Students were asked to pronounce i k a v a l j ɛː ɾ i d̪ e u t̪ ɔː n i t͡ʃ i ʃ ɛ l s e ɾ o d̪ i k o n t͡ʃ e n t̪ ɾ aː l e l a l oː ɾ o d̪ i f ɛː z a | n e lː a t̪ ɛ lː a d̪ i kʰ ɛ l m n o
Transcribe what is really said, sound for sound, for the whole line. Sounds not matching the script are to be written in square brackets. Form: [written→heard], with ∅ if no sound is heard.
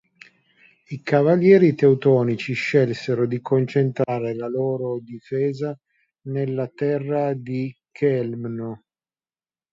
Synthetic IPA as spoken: i k a v a l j ɛː ɾ i [d̪→t̪] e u t̪ ɔː n i t͡ʃ i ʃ ɛ l s e ɾ o d̪ i k o n t͡ʃ e n t̪ ɾ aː [l→ɾ] e l a l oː ɾ o d̪ i f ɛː z a | n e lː a t̪ ɛ [lː→rː] a d̪ i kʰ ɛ l m n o